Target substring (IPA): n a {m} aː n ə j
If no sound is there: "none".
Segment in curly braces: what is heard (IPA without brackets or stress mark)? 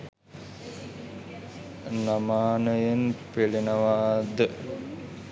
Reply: m